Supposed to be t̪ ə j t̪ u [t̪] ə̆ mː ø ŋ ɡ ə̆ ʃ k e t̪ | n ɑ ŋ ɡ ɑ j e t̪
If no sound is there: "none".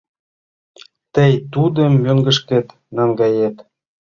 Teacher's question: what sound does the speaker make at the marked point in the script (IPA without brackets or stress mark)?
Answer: d̪